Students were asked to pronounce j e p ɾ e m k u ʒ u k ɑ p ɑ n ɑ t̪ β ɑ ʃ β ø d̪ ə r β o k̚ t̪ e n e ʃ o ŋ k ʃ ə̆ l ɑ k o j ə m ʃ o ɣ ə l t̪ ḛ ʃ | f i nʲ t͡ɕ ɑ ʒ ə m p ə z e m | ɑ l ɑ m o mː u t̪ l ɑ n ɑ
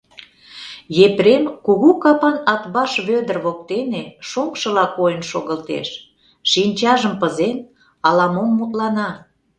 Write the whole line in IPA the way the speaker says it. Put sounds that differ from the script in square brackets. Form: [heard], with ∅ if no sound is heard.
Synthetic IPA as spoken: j e p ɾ e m k u [ɣ] u k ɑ p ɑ n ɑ t̪ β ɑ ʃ β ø d̪ ə r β o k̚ t̪ e n e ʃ o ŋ k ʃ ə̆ l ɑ k o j ə [n] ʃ o ɣ ə l t̪ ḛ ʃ | [ʃ] i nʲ t͡ɕ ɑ ʒ ə m p ə z e [n] | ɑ l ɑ m o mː u t̪ l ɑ n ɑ

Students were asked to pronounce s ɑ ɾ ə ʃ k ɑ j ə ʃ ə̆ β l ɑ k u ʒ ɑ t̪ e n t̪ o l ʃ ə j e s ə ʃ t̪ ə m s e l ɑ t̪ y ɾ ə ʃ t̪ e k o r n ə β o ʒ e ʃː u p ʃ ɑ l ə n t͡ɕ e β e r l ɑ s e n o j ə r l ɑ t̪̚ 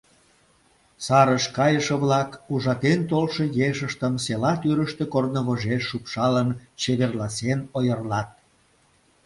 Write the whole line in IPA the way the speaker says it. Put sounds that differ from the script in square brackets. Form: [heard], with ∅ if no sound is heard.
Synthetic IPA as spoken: s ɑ ɾ ə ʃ k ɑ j ə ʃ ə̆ β l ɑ k u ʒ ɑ t̪ e n t̪ o l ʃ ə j e [ʃ] ə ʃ t̪ ə m s e l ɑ t̪ y ɾ ə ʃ t̪ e k o r n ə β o ʒ e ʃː u p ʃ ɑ l ə n t͡ɕ e β e r l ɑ s e n o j ə r l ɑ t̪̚

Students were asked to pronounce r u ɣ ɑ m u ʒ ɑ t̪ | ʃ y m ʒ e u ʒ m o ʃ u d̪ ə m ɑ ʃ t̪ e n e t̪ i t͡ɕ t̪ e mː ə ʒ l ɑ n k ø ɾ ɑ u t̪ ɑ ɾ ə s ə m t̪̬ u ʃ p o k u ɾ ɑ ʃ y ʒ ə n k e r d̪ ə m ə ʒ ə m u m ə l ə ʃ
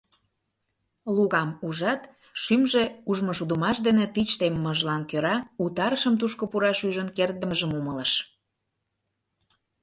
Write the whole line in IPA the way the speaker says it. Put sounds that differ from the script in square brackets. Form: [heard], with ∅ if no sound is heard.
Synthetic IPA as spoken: [l] u ɣ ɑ m u ʒ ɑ t̪ | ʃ y m ʒ e u ʒ m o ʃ u d̪ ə m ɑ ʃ [d̪] e n e t̪ i t͡ɕ t̪ e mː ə ʒ l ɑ n k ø ɾ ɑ u t̪ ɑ ɾ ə [ʃ] ə m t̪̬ u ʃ [k] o [p] u ɾ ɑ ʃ y ʒ ə n k e r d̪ ə m ə ʒ ə m u m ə l ə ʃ

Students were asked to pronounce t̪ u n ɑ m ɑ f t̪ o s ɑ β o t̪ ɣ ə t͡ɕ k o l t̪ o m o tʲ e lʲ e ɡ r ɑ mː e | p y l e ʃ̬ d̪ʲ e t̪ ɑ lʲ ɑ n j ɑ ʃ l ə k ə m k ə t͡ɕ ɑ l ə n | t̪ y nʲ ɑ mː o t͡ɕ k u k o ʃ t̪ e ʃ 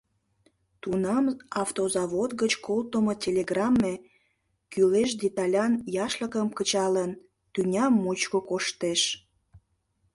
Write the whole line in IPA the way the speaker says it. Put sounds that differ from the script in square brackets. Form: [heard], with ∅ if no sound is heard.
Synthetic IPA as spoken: t̪ u n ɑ m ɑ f t̪ o [z] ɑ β o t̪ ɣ ə t͡ɕ k o l t̪ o m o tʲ e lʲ e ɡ r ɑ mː e | [k] y l e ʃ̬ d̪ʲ e t̪ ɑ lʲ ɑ n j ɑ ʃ l ə k ə m k ə t͡ɕ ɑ l ə n | t̪ y nʲ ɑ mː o t͡ɕ k [o] k o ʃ t̪ e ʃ

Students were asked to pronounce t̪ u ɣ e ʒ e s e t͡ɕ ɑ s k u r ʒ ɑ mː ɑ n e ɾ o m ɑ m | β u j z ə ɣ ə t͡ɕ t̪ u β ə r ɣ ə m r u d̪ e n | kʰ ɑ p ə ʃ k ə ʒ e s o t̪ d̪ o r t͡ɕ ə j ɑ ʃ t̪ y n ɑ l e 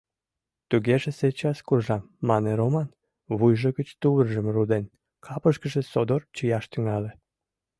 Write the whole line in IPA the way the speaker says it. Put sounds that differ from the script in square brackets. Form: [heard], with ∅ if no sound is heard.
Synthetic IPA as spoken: t̪ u ɣ e ʒ e s e t͡ɕ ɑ s k u r ʒ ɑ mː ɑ n e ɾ o m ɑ [n] | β u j [ʒ] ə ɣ ə t͡ɕ t̪ u β ə r [ʒ] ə m r u d̪ e n | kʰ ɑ p ə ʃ k ə ʒ e s o [∅] d̪ o r t͡ɕ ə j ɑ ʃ t̪ y [ŋ] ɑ l e

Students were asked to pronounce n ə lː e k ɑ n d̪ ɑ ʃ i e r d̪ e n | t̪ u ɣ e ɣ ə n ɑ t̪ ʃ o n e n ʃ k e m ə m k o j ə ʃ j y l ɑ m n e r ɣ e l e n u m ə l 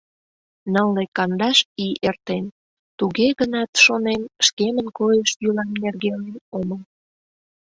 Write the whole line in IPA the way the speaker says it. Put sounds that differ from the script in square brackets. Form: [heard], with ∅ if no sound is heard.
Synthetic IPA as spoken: n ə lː e k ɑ n d̪ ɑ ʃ i e r [t̪] e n | t̪ u ɣ e ɣ ə n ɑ t̪ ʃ o n e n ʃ k e m ə [n] k o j ə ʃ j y l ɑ m n e r ɣ e l e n [o] m ə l

